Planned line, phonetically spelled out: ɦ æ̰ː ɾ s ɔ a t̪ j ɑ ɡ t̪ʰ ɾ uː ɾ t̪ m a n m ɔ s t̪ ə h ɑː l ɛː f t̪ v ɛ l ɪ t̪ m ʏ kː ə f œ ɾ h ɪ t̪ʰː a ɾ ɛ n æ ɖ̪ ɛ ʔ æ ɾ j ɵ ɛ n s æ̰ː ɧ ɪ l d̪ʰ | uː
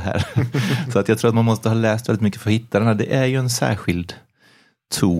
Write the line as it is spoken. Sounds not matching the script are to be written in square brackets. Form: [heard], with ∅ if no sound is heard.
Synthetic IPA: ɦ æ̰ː ɾ s ɔ a t̪ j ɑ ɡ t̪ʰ ɾ uː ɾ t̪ m a n m ɔ s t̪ ə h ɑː l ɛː [s] t̪ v ɛ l ɪ t̪ m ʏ kː ə f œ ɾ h ɪ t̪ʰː a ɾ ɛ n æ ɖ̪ ɛ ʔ æ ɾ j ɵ ɛ n s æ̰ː ɧ ɪ l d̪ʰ | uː